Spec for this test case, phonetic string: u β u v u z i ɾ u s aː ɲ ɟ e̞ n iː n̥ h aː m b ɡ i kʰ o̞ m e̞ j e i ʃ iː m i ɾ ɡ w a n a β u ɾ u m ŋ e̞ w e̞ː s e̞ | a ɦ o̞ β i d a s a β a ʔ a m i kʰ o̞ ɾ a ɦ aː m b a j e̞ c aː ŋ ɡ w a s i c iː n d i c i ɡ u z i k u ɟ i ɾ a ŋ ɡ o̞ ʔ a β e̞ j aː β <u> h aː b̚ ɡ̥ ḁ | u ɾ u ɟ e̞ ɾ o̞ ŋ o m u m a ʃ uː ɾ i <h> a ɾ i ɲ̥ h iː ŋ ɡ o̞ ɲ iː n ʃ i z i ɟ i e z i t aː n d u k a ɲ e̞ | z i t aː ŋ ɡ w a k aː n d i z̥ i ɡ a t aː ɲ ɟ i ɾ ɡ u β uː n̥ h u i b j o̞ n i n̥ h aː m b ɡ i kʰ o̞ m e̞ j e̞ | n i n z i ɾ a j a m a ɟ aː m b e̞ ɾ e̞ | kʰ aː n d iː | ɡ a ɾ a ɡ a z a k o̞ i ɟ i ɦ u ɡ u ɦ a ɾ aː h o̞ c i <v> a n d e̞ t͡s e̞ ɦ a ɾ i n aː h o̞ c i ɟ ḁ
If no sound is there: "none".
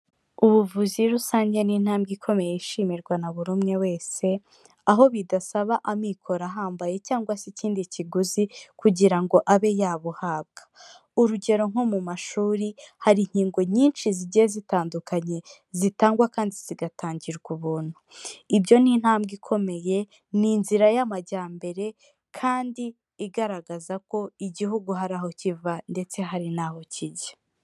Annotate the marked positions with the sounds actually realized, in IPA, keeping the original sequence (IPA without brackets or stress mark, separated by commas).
u, h, v